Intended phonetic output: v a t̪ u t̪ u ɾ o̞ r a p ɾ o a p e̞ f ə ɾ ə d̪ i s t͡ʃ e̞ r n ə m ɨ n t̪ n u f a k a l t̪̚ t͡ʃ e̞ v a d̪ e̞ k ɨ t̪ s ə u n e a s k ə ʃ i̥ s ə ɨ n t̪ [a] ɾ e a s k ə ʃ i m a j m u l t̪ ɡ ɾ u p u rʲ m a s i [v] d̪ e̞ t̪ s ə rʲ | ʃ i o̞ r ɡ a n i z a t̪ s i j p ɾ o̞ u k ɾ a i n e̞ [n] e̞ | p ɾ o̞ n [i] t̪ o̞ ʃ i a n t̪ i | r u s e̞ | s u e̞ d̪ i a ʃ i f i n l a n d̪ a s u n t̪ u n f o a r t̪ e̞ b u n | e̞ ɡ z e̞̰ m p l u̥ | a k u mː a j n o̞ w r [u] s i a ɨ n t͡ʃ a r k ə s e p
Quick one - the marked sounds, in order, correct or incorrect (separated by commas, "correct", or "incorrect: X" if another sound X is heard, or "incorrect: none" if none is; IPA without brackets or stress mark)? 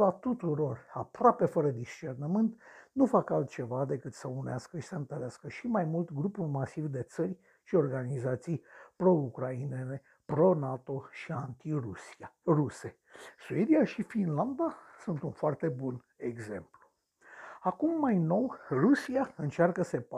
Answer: incorrect: ə, correct, correct, incorrect: a, correct